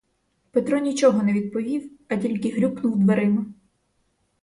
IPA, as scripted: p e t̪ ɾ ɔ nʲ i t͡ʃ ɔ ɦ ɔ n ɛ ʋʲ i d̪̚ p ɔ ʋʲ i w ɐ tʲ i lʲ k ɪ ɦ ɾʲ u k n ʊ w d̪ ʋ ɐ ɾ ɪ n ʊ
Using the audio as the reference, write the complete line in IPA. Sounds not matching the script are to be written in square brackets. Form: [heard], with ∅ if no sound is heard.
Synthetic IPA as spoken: p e t̪ ɾ ɔ nʲ i t͡ʃ ɔ ɦ ɔ n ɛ ʋʲ i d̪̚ p ɔ ʋʲ i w ɐ tʲ i lʲ k ɪ ɦ ɾʲ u k n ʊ w d̪ ʋ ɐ ɾ ɪ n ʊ

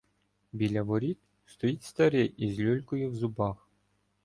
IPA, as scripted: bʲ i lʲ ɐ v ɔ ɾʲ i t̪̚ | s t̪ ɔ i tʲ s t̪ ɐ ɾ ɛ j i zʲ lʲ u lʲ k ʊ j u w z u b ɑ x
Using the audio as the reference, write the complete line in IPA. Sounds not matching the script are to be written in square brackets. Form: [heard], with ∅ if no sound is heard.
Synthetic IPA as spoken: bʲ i lʲ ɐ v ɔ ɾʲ i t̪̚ | s t̪ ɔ i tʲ s t̪ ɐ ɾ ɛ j i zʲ lʲ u lʲ k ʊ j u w z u b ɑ x

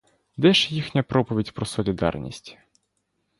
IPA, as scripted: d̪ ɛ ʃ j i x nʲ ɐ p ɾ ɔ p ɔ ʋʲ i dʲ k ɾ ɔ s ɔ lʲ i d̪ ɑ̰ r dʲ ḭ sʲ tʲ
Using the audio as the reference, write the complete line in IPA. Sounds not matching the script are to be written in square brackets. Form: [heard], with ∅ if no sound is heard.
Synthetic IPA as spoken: d̪ ɛ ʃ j i x nʲ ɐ p ɾ ɔ p ɔ ʋʲ i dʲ [p] ɾ ɔ s ɔ lʲ i d̪ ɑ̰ r [nʲ] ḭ sʲ tʲ

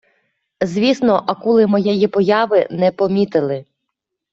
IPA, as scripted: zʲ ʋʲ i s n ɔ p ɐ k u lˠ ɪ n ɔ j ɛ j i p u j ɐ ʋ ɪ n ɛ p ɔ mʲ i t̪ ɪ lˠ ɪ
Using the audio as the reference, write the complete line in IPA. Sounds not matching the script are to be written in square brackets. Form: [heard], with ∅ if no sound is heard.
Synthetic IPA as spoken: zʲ ʋʲ i s n ɔ [ʔ] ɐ k u lˠ ɪ [m] ɔ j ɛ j i p [ɔ] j [ɑ] ʋ ɪ n ɛ p ɔ mʲ i t̪ ɪ lˠ ɪ

